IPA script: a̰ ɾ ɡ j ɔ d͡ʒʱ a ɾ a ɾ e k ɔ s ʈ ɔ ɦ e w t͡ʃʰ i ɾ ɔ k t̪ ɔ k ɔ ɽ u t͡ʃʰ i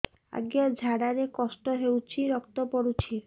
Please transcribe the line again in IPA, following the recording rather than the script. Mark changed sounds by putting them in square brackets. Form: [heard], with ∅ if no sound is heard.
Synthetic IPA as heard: a̰ [∅] ɡ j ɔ d͡ʒʱ a [ɽ] a ɾ e k ɔ s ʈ ɔ ɦ e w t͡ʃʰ i ɾ ɔ k t̪ ɔ [p] ɔ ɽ u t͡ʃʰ i